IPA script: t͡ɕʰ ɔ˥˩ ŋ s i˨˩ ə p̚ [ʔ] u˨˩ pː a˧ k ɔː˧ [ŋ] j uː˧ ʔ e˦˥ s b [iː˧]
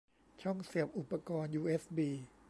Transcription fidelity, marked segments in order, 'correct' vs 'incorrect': correct, incorrect: n, correct

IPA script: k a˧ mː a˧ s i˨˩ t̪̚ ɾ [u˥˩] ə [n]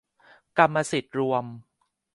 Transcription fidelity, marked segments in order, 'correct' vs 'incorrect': incorrect: u˧, incorrect: m

